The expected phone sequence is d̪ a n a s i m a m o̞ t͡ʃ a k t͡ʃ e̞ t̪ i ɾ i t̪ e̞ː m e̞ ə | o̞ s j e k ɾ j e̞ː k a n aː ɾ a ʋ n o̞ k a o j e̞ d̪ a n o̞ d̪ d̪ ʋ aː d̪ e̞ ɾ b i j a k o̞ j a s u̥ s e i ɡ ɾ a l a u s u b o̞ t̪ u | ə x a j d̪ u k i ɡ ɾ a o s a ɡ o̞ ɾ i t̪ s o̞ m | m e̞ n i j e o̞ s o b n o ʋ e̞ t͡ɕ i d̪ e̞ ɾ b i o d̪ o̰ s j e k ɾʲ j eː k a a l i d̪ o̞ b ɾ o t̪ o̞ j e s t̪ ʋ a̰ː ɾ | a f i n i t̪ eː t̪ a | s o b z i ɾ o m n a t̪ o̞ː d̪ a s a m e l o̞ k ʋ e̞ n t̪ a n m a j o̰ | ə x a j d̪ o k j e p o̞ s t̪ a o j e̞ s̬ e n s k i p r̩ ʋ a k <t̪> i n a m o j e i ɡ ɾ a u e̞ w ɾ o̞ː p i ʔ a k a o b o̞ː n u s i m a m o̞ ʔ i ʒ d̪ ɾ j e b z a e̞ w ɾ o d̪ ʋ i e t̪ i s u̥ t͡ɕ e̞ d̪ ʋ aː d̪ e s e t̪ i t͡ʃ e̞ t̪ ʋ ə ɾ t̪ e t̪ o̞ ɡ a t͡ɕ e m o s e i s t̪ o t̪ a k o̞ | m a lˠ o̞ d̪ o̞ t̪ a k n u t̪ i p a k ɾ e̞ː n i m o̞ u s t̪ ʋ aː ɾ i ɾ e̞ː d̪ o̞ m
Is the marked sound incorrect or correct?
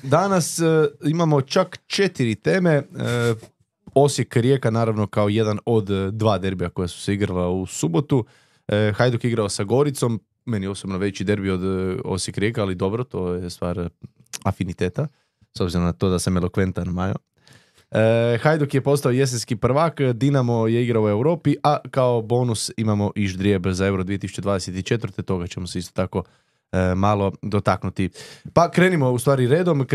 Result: incorrect